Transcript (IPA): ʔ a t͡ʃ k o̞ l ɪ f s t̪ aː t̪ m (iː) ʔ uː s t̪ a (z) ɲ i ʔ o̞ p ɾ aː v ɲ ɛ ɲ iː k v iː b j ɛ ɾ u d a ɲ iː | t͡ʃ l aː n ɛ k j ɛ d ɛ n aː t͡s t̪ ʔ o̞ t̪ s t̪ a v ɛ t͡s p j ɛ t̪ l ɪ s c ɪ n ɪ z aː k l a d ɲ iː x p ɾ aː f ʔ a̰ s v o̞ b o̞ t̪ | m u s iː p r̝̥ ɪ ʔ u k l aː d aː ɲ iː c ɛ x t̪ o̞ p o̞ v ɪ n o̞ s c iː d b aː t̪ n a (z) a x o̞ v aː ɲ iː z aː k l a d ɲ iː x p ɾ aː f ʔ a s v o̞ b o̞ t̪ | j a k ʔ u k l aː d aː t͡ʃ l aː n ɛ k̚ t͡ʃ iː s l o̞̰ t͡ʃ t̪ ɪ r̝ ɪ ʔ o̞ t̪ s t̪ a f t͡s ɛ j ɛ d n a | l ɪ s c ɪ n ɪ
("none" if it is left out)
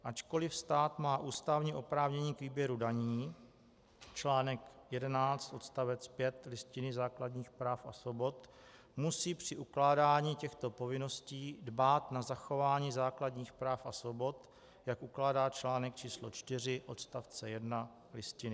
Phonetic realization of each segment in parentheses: aː, v, z

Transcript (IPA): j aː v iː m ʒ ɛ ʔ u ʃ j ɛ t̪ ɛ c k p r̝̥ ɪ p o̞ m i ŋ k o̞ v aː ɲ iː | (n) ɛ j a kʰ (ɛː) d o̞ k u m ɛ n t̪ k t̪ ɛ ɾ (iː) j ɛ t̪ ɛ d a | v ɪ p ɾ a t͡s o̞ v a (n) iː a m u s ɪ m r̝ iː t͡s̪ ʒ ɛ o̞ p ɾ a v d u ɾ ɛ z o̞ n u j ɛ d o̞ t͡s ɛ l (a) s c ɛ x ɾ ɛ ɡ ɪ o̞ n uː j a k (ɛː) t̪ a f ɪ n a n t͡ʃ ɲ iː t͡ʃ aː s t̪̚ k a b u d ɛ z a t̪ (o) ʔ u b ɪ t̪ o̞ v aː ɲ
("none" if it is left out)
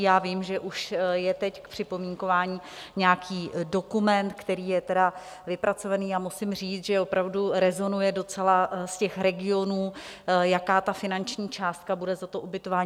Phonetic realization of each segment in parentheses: ɲ, iː, iː, n, a, aː, o

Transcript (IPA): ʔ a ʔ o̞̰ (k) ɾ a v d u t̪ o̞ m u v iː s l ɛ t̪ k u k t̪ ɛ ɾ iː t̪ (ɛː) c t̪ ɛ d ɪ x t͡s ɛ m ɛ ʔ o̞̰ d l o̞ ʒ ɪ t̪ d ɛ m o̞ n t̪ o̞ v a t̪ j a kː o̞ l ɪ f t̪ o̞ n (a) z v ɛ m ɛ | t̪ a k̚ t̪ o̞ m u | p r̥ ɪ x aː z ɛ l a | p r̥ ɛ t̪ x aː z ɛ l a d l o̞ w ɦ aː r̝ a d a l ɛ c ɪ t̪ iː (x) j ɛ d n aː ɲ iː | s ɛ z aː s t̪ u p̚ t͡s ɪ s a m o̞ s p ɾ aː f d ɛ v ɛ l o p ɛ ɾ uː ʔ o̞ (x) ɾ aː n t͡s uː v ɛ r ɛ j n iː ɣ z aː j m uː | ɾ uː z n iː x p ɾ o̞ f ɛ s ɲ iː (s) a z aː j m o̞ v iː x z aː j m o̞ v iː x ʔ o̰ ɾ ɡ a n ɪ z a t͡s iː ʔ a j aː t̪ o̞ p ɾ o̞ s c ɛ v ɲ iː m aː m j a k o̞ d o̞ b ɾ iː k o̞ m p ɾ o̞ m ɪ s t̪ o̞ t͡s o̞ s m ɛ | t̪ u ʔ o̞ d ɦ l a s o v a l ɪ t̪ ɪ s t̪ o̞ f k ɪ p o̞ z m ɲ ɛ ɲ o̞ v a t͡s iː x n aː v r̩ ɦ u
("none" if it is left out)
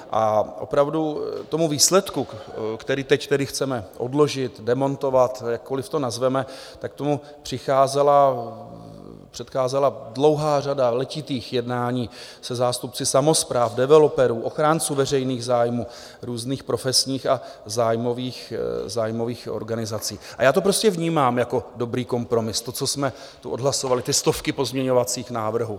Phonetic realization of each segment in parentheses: p, ɛ, a, x, x, x

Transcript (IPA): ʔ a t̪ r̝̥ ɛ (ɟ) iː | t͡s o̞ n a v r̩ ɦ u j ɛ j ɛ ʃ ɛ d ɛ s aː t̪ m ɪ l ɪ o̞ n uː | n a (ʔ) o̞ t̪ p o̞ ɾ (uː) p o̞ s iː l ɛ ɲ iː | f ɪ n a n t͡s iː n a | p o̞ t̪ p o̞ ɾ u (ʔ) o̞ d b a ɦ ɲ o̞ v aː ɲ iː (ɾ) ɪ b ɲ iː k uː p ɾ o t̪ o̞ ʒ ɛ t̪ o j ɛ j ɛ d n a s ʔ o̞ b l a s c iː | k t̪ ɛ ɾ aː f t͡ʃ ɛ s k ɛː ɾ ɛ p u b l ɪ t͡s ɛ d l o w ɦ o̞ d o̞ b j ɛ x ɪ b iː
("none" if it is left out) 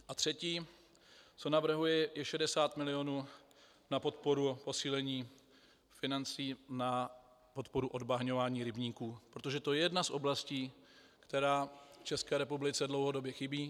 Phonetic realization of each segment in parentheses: c, p, u, ʔ, ɾ

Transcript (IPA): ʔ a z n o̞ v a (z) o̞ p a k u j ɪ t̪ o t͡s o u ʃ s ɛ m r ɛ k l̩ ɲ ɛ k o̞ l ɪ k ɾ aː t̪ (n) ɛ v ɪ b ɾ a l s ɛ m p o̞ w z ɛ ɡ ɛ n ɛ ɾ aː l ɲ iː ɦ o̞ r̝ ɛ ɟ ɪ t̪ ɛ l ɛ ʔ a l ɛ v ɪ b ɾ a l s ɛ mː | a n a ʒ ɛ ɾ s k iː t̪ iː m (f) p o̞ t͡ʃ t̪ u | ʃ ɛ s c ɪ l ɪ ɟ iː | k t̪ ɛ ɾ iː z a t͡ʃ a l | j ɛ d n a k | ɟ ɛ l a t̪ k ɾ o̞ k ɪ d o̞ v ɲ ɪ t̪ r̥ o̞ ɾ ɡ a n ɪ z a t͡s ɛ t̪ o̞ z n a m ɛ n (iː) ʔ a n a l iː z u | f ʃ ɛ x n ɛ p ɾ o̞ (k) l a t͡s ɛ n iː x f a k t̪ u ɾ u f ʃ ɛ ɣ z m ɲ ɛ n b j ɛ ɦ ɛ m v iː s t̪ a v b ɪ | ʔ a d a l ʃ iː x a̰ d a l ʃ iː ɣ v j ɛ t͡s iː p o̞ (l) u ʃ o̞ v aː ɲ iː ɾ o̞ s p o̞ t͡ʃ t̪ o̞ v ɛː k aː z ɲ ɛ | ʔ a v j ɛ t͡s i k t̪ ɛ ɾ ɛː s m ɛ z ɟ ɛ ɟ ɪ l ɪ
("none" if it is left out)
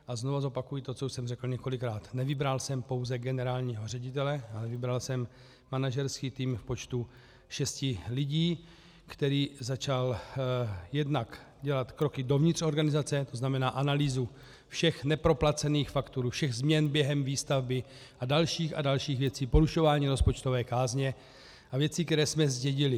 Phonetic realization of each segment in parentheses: z, n, f, aː, p, ɾ

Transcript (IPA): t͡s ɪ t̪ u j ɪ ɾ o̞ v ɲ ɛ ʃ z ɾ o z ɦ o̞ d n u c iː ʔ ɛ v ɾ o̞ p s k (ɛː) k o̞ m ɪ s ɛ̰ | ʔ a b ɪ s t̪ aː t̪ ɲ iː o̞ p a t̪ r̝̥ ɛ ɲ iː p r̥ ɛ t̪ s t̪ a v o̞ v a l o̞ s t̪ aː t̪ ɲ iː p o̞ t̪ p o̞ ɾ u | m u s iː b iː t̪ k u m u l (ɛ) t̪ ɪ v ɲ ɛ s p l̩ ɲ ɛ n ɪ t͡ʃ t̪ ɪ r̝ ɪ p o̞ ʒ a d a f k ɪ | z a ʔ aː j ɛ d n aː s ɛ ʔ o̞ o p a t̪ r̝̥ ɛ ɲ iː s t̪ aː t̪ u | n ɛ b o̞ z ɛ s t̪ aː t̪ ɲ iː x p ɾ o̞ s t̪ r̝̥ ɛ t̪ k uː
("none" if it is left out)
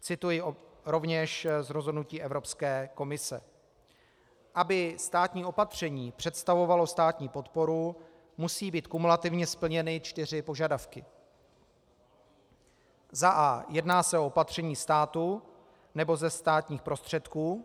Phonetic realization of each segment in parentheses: ɛː, a

